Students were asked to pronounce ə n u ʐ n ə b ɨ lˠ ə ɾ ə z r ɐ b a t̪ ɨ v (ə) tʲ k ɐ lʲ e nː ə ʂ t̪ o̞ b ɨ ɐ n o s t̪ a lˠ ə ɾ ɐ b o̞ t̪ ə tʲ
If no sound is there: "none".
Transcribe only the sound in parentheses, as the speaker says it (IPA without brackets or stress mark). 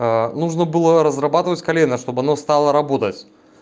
ə